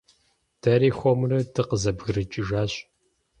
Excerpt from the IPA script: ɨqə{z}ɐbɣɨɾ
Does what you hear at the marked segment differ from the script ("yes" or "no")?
no